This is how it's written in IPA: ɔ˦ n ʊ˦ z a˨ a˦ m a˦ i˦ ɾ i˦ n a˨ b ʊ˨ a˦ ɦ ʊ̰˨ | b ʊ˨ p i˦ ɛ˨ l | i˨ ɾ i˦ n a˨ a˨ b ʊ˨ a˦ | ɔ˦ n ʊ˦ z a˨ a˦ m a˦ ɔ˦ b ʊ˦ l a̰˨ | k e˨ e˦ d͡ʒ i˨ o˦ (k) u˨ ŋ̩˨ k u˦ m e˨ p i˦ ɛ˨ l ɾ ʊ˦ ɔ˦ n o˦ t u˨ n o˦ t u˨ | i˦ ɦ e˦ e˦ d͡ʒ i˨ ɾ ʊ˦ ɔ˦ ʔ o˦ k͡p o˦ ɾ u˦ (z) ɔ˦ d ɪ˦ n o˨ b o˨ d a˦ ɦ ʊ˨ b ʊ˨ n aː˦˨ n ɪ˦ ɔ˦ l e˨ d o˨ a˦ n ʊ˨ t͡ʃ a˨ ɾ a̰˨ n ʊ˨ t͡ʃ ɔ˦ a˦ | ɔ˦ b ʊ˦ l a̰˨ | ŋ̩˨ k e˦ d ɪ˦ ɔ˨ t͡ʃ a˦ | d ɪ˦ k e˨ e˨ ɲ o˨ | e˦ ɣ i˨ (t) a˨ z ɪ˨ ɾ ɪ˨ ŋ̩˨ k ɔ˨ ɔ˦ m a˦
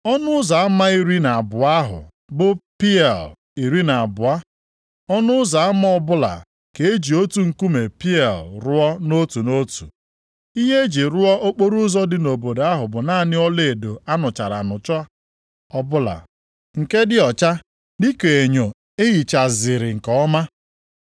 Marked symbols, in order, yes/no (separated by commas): no, yes, no